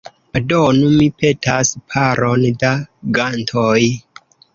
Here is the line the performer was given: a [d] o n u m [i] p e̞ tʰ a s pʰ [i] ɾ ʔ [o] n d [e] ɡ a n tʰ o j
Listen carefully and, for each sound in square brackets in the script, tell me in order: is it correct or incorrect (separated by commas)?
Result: correct, correct, incorrect, correct, incorrect